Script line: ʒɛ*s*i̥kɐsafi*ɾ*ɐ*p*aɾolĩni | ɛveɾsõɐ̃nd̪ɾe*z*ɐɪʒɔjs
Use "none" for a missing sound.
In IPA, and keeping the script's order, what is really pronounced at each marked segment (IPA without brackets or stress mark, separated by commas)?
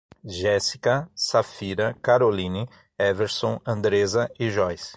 s, ɾ, k, z